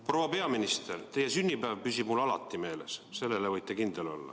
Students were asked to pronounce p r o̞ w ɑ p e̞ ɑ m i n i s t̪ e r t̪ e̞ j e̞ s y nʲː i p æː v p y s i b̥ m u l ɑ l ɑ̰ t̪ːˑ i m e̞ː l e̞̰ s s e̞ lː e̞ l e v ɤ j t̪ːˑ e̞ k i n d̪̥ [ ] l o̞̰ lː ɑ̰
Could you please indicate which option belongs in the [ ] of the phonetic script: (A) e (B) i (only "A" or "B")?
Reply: A